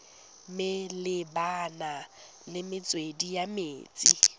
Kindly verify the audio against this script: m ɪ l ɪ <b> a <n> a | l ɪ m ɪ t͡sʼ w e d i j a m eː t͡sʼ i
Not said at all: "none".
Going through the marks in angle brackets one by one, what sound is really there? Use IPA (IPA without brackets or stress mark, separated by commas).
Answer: b, n